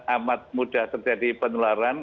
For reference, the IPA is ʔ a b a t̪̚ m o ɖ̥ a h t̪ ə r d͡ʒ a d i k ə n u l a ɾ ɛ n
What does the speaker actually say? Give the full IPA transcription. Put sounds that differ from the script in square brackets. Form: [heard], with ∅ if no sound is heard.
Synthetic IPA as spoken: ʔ a [m] a t̪̚ m [u] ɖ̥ a h t̪ ə r d͡ʒ a d i [p] ə n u l a ɾ [a] n